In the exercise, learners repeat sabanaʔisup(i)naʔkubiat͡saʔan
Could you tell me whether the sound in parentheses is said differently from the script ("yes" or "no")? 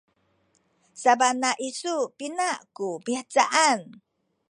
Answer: no